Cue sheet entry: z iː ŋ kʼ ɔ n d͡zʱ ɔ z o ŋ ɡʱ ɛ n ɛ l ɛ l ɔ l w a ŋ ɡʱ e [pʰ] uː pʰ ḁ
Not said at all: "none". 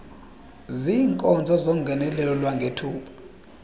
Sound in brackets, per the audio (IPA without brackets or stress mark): tʰ